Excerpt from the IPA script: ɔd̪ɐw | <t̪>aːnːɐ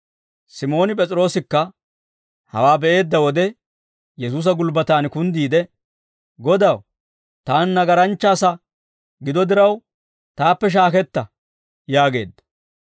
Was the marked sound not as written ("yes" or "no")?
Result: no